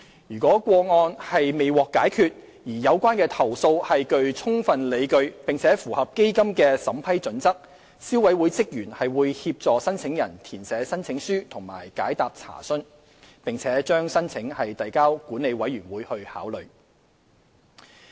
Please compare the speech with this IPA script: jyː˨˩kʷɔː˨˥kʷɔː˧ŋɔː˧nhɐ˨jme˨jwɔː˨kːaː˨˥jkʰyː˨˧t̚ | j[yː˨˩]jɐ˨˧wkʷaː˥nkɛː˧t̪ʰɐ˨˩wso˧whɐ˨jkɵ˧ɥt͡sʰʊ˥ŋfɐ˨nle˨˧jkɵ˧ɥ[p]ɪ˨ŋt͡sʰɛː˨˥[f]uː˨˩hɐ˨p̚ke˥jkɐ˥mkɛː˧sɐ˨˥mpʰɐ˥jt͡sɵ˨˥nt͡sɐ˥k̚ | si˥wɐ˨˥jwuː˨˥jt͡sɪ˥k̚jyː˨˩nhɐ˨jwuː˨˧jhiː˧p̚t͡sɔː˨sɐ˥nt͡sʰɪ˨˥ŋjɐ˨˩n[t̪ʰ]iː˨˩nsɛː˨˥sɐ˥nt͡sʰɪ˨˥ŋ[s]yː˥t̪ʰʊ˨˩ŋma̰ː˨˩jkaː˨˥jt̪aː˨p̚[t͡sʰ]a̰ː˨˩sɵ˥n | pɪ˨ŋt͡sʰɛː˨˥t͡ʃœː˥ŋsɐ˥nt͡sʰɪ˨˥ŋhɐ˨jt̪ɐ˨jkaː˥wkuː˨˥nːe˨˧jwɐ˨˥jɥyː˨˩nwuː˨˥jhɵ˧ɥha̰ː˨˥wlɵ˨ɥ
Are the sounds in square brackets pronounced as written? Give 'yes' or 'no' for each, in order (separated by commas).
no, yes, yes, yes, yes, yes